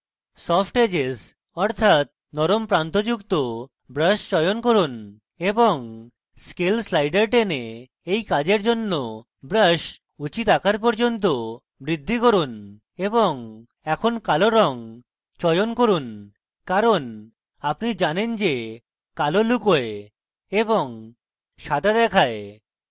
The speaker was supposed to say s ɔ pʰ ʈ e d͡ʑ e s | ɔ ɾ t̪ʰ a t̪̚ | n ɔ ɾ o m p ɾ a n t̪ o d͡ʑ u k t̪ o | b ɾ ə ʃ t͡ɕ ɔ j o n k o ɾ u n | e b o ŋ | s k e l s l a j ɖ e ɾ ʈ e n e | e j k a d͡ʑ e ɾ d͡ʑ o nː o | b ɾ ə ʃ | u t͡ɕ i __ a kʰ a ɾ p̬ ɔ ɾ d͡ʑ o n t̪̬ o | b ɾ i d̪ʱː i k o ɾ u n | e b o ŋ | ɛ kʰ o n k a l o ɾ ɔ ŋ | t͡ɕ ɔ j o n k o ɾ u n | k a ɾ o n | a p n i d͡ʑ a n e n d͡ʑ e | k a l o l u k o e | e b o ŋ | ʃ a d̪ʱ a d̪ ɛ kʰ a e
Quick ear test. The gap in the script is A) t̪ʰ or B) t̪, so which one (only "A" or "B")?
B